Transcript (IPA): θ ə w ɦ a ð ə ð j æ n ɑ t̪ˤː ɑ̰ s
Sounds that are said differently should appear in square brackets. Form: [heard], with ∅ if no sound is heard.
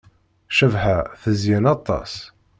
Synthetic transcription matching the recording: [ʃ] ə [v] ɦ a [θ] ə [z] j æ n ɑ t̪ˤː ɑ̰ s